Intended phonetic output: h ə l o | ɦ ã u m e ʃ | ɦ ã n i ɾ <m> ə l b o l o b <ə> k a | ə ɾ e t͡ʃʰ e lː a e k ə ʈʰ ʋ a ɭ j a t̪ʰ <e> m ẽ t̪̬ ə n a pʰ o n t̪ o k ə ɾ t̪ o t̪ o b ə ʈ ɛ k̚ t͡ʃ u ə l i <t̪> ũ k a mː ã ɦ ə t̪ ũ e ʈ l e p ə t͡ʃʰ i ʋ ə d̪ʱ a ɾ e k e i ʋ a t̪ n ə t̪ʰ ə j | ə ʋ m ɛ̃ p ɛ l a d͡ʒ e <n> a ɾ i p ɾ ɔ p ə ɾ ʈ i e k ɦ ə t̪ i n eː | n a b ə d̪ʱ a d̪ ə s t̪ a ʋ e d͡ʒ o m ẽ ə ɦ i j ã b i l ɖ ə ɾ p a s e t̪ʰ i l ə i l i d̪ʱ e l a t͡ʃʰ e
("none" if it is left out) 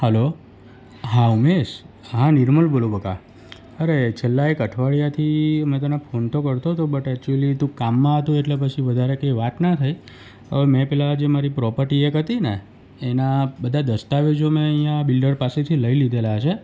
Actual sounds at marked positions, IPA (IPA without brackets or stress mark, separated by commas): m, ə, i, t̪, m